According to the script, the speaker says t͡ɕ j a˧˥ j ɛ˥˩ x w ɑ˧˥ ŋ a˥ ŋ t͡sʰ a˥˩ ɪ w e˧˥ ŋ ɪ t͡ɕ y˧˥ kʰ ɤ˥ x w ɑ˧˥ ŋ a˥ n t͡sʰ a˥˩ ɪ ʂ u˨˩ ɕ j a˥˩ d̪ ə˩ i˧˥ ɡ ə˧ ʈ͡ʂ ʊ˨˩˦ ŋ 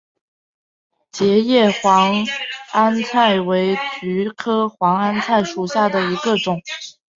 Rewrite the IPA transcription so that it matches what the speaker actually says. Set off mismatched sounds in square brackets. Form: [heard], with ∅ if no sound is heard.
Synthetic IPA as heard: t͡ɕ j [ɛ˧˥] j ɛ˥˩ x w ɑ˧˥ ŋ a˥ [n] t͡sʰ a˥˩ ɪ w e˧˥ [∅] ɪ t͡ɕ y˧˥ kʰ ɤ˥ x w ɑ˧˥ ŋ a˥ n t͡sʰ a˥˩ ɪ ʂ u˨˩ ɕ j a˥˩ d̪ ə˩ i˧˥ ɡ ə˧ ʈ͡ʂ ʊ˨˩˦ ŋ